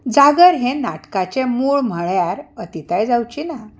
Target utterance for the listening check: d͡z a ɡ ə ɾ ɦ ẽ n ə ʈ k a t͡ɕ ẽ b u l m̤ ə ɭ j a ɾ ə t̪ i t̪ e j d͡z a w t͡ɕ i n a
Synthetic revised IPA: d͡z a ɡ ə ɾ ɦ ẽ n a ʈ k a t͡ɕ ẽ m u ɭ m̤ ə ɭ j a ɾ ə t̪ i t̪ a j d͡z a w t͡ɕ i n a